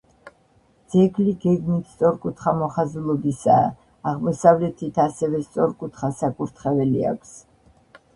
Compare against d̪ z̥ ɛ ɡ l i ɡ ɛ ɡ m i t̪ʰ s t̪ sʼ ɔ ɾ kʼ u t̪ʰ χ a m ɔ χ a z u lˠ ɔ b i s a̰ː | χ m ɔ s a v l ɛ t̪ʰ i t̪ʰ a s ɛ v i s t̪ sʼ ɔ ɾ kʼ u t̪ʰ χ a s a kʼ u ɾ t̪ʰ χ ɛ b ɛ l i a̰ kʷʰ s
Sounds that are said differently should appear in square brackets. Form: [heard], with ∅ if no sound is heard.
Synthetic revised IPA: d̪ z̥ ɛ ɡ l i ɡ ɛ ɡ m i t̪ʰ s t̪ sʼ ɔ ɾ kʼ u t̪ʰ χ a m ɔ χ a z u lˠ ɔ b i s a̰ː | [ʁ] m ɔ s a v l ɛ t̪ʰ i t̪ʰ a s ɛ v [ɛ] s t̪ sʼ ɔ ɾ kʼ u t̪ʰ χ a s a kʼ u ɾ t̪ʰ χ ɛ [v] ɛ l i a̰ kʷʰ s